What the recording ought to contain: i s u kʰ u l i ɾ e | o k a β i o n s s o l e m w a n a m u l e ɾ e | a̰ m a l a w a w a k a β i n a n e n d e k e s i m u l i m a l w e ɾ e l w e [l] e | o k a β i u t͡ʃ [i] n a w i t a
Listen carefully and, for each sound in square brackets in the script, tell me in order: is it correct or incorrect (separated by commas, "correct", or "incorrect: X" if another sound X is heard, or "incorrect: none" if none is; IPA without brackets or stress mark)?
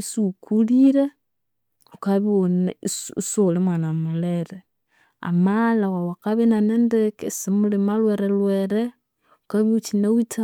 incorrect: ɾ, correct